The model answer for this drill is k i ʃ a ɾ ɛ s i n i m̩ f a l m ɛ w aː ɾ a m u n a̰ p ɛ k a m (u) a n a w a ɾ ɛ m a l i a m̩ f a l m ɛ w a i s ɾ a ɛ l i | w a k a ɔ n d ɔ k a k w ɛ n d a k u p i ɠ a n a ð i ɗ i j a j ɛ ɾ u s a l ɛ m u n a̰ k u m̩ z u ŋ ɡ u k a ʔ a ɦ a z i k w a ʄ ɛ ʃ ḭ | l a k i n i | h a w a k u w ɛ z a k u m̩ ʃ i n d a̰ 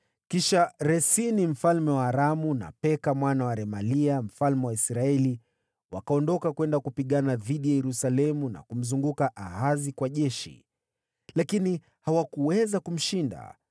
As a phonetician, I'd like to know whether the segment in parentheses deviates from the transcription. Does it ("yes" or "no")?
yes